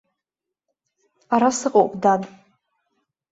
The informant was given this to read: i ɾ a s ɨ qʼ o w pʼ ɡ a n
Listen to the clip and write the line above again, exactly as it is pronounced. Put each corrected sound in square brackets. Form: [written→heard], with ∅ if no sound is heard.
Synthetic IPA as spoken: [i→a] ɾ a s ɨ qʼ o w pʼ [ɡ→d] a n